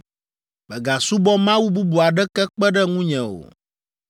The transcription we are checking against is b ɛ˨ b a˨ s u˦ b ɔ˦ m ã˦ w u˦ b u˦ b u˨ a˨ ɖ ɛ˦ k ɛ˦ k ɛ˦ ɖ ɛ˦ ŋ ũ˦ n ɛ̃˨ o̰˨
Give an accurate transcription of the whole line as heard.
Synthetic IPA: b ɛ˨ ɡ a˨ s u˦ b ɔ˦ m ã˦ w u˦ b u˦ b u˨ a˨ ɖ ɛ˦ k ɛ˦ k͡p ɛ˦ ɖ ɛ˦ ŋ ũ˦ ɲ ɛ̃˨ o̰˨